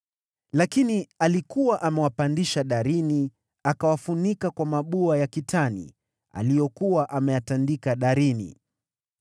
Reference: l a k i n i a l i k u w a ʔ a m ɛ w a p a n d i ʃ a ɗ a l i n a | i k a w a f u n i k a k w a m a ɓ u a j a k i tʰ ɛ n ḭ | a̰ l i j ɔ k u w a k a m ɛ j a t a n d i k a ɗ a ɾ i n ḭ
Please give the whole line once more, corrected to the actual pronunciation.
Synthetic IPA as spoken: l a k i n i a l i k u w a ʔ a m ɛ w a p a n d i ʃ a ɗ a ɾ i n i | a k a w a f u n i k a k w a m a ɓ u a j a k i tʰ a n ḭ | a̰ l i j ɔ k u w a ʔ a m ɛ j a t a n d i k a ɗ a ɾ i n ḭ